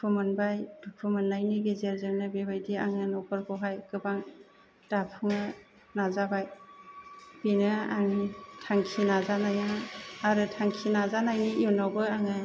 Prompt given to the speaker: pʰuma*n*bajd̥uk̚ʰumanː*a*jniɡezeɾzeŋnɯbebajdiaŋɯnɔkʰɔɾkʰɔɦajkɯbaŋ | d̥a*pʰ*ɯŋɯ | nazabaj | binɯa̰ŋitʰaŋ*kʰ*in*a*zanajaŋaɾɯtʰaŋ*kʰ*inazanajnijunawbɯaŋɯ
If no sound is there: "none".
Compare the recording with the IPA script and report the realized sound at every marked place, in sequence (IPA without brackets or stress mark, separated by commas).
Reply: n, a, pʰ, kʰ, a, kʰ